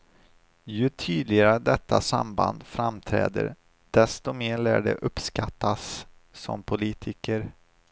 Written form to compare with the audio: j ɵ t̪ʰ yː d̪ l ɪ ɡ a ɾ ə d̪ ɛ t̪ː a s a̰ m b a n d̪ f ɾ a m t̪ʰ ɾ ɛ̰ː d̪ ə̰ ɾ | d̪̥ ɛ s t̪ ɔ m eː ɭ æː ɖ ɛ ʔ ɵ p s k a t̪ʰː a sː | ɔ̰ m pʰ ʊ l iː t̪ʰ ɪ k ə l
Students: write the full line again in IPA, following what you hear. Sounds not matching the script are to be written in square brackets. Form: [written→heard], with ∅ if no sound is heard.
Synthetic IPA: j ɵ t̪ʰ yː d̪ l ɪ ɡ a ɾ ə d̪ ɛ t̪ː a s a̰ m b a n d̪ f ɾ a m t̪ʰ ɾ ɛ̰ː d̪ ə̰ ɾ | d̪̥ ɛ s t̪ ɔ m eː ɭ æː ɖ ɛ ʔ ɵ p s k a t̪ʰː a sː | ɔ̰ m pʰ ʊ l iː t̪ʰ ɪ k ə [l→ɾ]